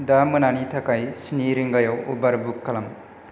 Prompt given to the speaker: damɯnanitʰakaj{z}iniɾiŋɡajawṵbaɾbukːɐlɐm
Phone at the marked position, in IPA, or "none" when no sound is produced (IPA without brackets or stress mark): s